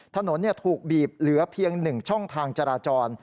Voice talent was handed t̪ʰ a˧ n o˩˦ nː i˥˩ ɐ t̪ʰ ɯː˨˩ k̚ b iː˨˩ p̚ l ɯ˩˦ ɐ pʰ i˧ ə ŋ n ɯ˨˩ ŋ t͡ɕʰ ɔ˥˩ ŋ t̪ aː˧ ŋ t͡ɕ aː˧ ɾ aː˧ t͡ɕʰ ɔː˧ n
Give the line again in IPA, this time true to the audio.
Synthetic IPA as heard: t̪ʰ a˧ n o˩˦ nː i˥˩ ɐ t̪ʰ uː˨˩ k̚ b iː˨˩ p̚ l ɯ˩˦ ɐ pʰ i˧ ə ŋ n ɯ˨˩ ŋ t͡ɕʰ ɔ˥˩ ŋ t̪ʰ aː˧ ŋ t͡ɕ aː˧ ɾ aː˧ t͡ɕ ɔː˧ n